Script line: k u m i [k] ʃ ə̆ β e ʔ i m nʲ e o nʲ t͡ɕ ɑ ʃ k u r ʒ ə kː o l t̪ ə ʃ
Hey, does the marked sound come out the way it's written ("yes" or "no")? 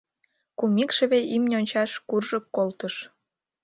yes